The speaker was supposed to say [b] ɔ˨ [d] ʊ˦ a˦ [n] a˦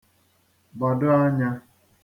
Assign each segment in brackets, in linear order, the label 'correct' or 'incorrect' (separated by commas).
correct, correct, incorrect